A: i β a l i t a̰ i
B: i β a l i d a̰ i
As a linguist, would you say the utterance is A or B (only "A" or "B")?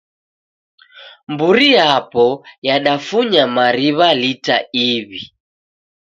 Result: A